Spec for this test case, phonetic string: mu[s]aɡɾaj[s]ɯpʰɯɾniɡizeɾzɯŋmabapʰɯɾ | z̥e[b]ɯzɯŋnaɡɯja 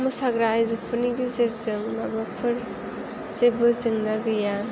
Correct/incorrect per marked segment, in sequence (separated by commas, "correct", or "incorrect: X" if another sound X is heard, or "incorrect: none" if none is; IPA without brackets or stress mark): correct, incorrect: z, correct